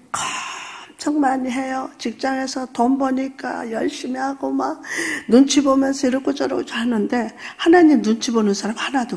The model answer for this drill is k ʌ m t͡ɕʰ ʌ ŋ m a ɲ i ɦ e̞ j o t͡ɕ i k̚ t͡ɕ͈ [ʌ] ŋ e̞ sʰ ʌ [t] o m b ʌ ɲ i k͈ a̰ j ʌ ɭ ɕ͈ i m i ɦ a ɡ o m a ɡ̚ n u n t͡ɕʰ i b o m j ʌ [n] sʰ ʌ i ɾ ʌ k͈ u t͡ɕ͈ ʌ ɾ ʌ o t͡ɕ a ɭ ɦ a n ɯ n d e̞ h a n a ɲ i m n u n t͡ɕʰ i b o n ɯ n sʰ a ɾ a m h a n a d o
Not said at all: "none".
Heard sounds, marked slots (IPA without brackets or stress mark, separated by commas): a, t, n